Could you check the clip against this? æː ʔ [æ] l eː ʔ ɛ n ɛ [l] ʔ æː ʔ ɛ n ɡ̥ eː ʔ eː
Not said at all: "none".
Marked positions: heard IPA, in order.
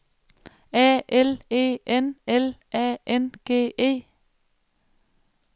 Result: ɛ, l

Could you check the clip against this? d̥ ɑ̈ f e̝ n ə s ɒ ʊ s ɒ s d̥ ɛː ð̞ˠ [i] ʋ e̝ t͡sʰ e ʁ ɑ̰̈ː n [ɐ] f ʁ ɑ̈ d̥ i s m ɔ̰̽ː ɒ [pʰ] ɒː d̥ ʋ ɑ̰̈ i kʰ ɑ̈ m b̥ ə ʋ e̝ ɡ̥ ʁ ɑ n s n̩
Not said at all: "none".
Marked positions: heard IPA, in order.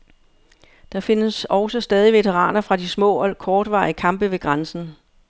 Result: i, ɐ, kʰ

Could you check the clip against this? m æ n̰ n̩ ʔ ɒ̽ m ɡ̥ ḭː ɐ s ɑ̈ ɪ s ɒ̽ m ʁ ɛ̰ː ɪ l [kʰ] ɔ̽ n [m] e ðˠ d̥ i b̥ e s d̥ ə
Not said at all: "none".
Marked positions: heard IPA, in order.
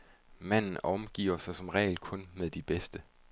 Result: kʰ, m

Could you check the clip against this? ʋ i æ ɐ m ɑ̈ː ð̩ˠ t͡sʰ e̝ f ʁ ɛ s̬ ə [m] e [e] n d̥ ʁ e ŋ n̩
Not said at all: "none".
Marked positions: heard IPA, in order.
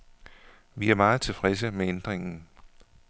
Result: m, e

